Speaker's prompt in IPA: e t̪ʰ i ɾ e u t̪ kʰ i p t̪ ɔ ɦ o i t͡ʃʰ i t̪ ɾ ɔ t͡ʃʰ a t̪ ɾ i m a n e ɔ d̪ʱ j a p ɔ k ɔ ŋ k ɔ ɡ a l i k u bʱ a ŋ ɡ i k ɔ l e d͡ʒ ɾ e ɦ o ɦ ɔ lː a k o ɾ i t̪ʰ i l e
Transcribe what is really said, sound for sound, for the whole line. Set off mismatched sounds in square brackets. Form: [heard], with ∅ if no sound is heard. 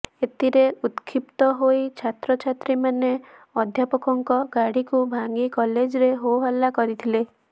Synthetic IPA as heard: e [t̪] i ɾ e u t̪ kʰ i p t̪ ɔ ɦ o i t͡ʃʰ [a] t̪ ɾ ɔ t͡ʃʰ a t̪ ɾ i m a n e ɔ d̪ʱ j a p ɔ k ɔ ŋ k ɔ ɡ a [ɽ] i k u bʱ a ŋ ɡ i k ɔ l e d͡ʒ ɾ e ɦ o ɦ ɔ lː a k [ɔ] ɾ i t̪ʰ i l e